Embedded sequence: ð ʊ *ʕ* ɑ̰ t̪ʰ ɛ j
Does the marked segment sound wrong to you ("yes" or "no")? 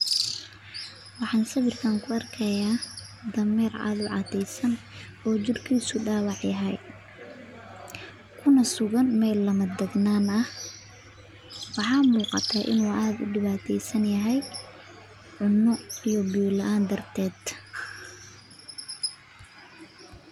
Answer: no